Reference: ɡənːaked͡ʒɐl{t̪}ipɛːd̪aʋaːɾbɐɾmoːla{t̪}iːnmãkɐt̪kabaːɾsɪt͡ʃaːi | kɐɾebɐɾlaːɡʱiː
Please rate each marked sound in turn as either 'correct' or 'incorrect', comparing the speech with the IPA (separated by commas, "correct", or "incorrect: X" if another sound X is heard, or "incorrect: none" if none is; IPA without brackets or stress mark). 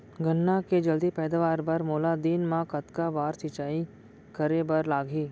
incorrect: d̪, incorrect: d̪